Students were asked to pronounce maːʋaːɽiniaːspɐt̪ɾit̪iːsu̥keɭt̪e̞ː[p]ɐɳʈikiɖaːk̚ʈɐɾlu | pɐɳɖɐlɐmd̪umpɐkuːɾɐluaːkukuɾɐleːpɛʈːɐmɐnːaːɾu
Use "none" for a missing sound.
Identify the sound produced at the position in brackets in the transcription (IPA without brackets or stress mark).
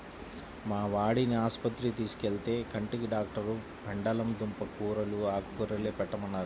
k